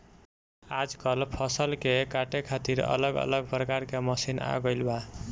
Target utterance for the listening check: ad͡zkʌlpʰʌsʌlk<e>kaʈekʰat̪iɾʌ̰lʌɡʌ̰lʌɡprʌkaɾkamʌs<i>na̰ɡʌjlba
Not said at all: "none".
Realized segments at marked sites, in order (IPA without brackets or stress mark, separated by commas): e, i